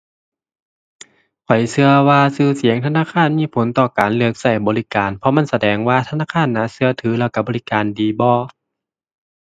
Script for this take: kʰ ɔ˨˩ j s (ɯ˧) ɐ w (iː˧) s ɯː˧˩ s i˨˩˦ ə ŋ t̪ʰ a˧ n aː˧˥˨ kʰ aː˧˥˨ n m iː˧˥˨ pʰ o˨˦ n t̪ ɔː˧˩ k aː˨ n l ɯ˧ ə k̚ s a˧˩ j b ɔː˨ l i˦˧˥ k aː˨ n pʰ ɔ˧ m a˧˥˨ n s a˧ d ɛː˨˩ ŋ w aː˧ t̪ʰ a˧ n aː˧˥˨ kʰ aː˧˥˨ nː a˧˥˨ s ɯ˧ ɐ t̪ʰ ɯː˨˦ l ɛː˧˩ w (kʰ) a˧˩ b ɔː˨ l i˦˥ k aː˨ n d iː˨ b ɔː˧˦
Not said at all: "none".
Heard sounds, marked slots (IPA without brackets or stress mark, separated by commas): ɯ˧, aː˧, k